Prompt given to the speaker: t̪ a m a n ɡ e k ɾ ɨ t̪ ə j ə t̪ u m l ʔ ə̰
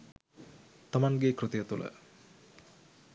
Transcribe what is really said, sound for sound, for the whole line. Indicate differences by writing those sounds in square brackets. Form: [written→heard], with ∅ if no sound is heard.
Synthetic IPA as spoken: t̪ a m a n ɡ e k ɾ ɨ t̪ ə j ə t̪ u [m→∅] l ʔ ə̰